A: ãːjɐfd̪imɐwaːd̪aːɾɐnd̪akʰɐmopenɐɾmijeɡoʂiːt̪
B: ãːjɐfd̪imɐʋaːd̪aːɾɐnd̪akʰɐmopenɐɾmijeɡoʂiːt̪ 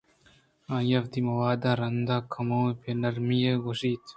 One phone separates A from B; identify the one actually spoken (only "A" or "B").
A